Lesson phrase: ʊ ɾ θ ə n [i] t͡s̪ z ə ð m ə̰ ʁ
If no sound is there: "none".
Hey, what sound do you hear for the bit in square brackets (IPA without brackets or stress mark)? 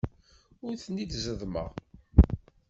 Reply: i